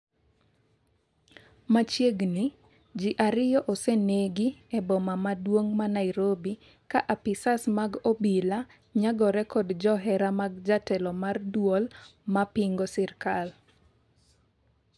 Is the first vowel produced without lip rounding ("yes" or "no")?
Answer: yes